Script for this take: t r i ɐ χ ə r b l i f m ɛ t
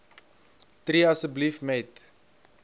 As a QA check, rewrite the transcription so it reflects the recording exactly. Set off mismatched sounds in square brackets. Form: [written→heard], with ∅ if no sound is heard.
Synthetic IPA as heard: t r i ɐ [χ→s] ə [r→∅] b l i f m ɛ t